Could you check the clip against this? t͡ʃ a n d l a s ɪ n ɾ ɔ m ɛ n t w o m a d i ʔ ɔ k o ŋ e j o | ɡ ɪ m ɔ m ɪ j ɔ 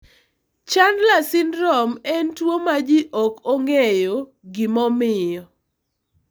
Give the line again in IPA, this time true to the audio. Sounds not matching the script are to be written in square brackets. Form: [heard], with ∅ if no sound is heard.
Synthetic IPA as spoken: t͡ʃ a n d l a s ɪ n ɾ ɔ m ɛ n t w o m a [d͡ʒ] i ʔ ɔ k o ŋ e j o | ɡ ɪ m ɔ m ɪ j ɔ